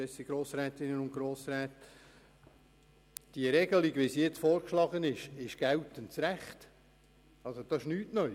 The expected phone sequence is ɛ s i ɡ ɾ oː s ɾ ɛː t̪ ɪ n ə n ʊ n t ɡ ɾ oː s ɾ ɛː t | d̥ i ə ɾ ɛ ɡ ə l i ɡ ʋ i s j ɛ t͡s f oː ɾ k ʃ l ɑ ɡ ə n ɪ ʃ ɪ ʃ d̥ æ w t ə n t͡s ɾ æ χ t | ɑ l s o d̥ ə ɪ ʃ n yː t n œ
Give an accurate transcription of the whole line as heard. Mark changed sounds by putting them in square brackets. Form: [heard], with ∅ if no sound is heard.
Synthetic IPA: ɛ s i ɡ ɾ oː s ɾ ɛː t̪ ɪ n ə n ʊ n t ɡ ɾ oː s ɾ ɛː t | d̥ i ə ɾ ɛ ɡ ə l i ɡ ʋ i s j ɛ t͡s f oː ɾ k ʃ l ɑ ɡ ə n ɪ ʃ ɪ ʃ [ɡ̥] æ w t ə n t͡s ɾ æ χ t | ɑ l s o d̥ [ɑ] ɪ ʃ n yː t n œ